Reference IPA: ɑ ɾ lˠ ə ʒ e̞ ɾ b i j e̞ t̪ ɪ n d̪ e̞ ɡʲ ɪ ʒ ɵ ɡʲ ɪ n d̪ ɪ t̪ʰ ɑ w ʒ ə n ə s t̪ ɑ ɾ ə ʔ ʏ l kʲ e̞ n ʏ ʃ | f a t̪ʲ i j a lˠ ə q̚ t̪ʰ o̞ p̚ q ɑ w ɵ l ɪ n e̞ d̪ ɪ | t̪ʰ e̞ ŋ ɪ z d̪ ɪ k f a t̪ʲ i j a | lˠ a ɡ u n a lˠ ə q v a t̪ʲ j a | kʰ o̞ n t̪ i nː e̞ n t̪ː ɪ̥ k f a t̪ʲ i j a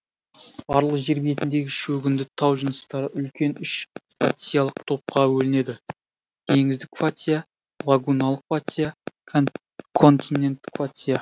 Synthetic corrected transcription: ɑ ɾ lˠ ə ʒ e̞ ɾ b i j e̞ t̪ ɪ n d̪ e̞ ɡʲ ɪ ʃ ɵ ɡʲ ɪ n d̪ ɪ t̪ʰ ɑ w ʒ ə n ə s t̪ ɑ ɾ ə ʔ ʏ l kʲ e̞ n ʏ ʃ | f a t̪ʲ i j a lˠ ə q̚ t̪ʰ o̞ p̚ q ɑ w ɵ l ɪ n e̞ d̪ ɪ | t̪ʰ e̞ ŋ ɪ z d̪ ɪ k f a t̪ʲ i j a | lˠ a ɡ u n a lˠ ə q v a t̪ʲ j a | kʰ o̞ n t̪ i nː e̞ n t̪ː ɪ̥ k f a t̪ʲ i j a